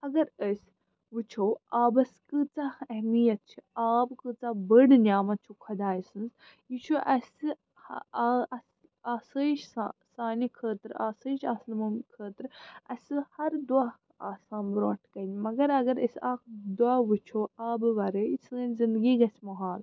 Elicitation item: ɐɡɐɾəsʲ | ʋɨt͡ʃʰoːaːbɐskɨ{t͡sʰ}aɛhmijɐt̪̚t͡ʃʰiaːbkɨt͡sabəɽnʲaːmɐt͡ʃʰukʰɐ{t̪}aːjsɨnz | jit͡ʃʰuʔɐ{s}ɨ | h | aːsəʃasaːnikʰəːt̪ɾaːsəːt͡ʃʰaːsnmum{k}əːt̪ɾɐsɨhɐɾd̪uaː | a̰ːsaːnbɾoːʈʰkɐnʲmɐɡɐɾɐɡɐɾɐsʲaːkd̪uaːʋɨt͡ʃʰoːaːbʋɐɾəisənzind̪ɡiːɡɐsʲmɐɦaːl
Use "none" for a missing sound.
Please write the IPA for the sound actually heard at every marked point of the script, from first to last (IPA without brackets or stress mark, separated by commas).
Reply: t͡s, d̪, s, kʰ